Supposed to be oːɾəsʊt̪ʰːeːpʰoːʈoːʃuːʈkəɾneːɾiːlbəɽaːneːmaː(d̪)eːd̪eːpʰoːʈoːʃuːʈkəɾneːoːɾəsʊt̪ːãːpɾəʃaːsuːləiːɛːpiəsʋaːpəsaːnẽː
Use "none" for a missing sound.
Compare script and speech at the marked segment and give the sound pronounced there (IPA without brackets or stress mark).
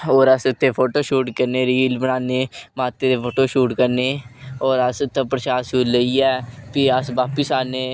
t̪